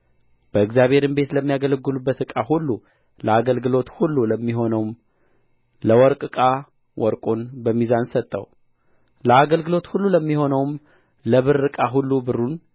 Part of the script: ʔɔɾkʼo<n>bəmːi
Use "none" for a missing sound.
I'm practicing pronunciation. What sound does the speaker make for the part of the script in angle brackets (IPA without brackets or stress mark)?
n